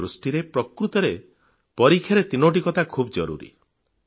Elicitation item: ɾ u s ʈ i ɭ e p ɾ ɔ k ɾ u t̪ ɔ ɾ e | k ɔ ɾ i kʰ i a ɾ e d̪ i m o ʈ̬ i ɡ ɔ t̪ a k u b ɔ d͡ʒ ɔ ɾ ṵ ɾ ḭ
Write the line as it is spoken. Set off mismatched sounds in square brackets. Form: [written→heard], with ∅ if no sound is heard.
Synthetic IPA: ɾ u s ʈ i [ɭ→ɾ] e p ɾ ɔ k ɾ u t̪ ɔ ɾ e | [k→p] ɔ ɾ i kʰ [i→j] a ɾ e [d̪→t̪] i [m→n] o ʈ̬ i [ɡ→k] ɔ t̪ a [k→kʰ] u b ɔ d͡ʒ ɔ ɾ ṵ ɾ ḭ